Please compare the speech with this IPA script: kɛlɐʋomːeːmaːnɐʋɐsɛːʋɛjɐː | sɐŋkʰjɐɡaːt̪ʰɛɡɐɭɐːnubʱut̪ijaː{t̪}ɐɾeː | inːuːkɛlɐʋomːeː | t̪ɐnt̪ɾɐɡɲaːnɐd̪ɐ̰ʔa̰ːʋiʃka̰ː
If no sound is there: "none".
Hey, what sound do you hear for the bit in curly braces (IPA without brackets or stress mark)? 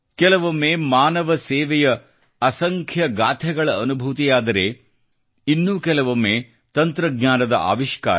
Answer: d̪